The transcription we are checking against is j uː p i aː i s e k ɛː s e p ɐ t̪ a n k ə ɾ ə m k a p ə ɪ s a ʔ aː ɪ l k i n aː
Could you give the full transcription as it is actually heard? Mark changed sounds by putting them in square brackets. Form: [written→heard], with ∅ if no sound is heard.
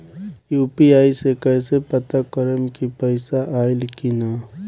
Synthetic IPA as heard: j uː p i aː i s e k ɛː s e p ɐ t̪ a [n→∅] k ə ɾ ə m k [a→i] p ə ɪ s a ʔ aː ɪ l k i n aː